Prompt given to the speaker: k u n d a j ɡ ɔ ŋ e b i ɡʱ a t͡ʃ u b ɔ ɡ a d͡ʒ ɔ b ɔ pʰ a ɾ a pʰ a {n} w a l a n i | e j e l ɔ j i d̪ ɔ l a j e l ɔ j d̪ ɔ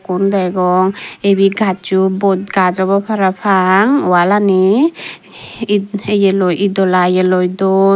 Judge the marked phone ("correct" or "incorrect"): incorrect